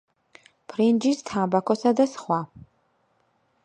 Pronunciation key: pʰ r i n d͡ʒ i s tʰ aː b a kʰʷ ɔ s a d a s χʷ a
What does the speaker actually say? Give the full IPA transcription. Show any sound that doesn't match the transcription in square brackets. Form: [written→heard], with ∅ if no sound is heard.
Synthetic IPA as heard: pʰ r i n d͡ʒ i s tʰ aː b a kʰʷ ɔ s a d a s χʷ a